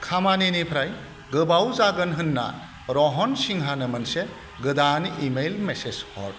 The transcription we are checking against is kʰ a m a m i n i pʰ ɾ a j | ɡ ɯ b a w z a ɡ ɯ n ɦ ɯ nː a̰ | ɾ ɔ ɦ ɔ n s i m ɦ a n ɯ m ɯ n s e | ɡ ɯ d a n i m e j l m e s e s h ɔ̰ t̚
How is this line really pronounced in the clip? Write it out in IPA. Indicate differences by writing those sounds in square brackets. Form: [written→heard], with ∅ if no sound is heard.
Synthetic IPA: kʰ a m a [m→n] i n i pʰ ɾ a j | ɡ ɯ b a w z a ɡ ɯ n ɦ ɯ nː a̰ | ɾ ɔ ɦ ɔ n s i [m→ŋ] ɦ a n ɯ m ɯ n s e | ɡ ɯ d a n i m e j l m e s e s h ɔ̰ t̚

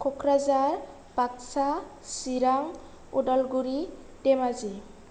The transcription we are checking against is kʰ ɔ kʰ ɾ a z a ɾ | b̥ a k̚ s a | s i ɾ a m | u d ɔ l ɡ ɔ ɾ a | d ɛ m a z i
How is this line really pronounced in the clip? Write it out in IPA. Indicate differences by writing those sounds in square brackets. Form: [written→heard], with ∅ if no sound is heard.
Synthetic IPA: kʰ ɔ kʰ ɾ a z a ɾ | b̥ a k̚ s a | s i ɾ a [m→ŋ] | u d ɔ l ɡ [ɔ→u] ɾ [a→i] | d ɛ m a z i

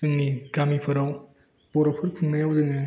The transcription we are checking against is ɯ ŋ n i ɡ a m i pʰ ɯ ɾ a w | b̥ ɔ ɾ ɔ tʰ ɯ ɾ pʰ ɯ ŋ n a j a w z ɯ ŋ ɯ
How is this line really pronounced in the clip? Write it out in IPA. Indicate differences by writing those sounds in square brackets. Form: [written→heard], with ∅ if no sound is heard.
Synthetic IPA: ɯ ŋ n i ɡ a m i pʰ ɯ ɾ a w | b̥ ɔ ɾ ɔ [tʰ→pʰ] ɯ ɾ pʰ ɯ ŋ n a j a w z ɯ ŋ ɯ

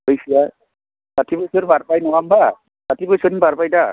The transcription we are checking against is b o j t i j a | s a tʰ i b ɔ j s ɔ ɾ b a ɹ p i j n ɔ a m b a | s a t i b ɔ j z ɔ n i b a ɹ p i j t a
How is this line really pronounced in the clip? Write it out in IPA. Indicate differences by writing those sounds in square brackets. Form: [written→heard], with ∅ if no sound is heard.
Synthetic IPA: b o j [t→s] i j a | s a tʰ i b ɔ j s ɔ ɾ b a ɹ p [i→a] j n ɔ a m b a | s a t i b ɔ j [z→s] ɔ n i b a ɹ p [i→a] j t a

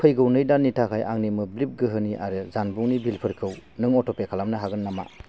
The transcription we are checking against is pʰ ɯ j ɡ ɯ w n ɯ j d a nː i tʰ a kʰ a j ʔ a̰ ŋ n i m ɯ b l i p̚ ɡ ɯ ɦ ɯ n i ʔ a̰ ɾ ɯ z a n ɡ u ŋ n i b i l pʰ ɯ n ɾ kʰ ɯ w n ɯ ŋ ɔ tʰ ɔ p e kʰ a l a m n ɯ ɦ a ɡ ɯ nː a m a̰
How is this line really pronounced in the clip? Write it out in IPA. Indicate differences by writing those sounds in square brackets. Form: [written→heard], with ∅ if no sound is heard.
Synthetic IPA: pʰ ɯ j ɡ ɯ w n ɯ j d a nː i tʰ a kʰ a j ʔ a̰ ŋ n i m ɯ b l i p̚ ɡ ɯ ɦ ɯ n i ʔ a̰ ɾ ɯ z a n [ɡ→b] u ŋ n i b i l pʰ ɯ [n→∅] ɾ kʰ ɯ w n ɯ ŋ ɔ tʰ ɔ p e kʰ a l a m n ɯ ɦ a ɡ ɯ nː a m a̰

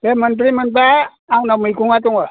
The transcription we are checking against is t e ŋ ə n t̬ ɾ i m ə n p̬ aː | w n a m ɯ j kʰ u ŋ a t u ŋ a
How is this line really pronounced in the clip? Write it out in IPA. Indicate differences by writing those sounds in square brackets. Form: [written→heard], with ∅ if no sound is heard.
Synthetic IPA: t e [ŋ→m] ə n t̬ ɾ i m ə n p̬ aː | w n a m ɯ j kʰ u ŋ a t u ŋ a

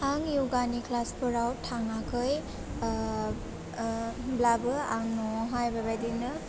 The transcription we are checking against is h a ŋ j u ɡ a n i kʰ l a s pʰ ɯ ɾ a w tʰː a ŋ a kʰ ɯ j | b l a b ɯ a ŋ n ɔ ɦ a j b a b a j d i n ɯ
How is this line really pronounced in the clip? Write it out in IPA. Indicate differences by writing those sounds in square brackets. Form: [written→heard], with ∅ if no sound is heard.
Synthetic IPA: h a ŋ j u ɡ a n i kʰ l a s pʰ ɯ ɾ a w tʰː a ŋ a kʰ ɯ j | b l a b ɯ a ŋ n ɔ ɦ a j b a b a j d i n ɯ

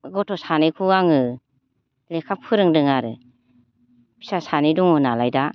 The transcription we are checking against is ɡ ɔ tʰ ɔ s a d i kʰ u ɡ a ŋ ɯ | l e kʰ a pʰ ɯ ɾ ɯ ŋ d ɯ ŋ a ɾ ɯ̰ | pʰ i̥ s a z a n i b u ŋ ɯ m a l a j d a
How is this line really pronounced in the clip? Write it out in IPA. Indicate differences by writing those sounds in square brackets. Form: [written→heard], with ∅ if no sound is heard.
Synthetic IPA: ɡ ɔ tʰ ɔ s a [d→n] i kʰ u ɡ a ŋ ɯ | l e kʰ a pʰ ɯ ɾ ɯ ŋ d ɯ ŋ a ɾ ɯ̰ | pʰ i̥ s a [z→s] a n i [b→d] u ŋ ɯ [m→n] a l a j d a

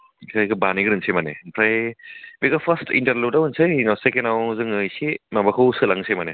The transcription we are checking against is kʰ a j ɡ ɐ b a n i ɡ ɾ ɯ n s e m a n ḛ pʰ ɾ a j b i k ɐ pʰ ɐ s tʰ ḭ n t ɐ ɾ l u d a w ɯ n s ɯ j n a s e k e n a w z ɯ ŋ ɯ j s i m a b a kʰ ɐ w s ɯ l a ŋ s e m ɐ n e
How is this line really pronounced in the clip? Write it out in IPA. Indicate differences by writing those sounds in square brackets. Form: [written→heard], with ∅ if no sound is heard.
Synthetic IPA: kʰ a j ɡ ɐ b a n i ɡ ɾ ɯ n s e m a n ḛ pʰ ɾ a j b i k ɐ pʰ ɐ s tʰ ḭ n t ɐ ɾ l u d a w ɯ n s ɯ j n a s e k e n a w z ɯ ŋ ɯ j s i m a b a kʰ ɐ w s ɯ l a ŋ s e m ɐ n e

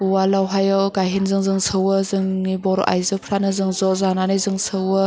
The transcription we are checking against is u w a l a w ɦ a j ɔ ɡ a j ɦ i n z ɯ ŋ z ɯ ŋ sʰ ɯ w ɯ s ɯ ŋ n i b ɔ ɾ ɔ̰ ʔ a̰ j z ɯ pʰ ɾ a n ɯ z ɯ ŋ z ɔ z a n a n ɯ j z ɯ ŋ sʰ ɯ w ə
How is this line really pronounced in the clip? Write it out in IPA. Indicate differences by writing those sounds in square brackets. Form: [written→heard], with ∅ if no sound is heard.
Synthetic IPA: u w a l a w ɦ a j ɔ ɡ a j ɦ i n z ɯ ŋ z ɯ ŋ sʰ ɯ w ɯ [s→z] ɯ ŋ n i b ɔ ɾ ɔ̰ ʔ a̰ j z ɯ pʰ ɾ a n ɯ z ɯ ŋ z ɔ z a n a n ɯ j z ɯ ŋ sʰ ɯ w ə

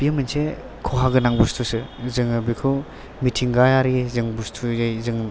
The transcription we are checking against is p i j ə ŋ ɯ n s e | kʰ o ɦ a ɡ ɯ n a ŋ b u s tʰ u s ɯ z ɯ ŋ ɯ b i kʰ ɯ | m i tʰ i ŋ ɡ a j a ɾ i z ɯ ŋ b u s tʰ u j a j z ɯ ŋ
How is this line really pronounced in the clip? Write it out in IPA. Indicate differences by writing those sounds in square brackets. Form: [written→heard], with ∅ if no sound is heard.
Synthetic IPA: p i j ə [ŋ→m] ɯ n s e | kʰ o ɦ a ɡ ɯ n a ŋ b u s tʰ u s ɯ z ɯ ŋ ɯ b i kʰ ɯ | m i tʰ i ŋ ɡ a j a ɾ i z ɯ ŋ b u s tʰ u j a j z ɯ ŋ

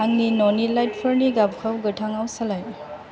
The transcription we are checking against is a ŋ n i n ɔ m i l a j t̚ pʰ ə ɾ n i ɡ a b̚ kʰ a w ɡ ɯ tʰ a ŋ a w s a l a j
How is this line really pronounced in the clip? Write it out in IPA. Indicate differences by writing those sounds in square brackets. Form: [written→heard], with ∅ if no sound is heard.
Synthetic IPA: a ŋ n i n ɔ [m→n] i l a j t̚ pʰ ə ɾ n i ɡ a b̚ kʰ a w ɡ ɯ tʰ a ŋ a w s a l a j

